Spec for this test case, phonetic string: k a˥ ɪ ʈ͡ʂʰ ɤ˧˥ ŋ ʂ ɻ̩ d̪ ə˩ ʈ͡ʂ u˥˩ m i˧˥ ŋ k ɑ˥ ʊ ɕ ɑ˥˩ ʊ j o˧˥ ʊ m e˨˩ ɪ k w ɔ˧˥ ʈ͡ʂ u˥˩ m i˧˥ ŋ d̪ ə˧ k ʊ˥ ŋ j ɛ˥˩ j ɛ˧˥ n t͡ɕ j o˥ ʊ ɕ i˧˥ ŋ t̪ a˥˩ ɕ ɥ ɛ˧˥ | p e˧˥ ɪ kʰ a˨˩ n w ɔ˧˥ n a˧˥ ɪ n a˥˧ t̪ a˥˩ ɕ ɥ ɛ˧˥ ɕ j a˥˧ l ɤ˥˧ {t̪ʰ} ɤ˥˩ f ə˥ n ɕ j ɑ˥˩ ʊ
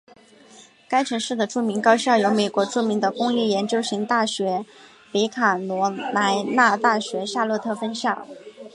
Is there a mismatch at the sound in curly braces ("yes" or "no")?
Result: no